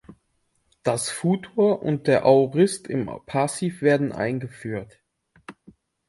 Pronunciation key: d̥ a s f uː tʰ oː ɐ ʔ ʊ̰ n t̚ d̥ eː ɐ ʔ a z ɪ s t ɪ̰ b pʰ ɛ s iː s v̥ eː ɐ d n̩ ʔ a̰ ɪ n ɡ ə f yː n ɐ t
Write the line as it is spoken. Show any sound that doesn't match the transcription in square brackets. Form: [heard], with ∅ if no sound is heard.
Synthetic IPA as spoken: d̥ a s f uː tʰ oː ɐ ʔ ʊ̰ n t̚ d̥ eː ɐ ʔ a [ʁ] ɪ s t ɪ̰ [m] pʰ [a] s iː [f] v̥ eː ɐ d n̩ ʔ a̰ ɪ n ɡ ə f yː [∅] ɐ t